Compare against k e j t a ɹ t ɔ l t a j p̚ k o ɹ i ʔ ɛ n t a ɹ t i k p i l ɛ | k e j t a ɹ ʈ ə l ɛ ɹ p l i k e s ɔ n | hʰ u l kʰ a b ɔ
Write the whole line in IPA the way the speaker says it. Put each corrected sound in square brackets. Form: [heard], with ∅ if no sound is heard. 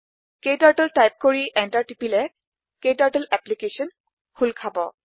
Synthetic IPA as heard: k e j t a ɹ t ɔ l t a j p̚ k o ɹ i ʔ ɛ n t a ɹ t i [∅] p i l ɛ | k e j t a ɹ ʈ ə l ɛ [∅] p l i k e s ɔ n | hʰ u l kʰ a b ɔ